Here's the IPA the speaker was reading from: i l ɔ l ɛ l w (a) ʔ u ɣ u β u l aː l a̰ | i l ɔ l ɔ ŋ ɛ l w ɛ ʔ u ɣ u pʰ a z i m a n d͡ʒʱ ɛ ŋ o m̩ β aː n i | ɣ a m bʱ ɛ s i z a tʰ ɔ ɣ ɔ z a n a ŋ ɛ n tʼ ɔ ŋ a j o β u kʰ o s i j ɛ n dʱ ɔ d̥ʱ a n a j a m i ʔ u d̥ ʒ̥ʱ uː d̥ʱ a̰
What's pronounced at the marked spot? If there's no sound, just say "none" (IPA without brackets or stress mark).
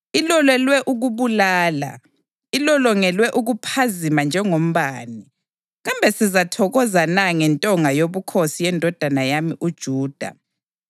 ɛ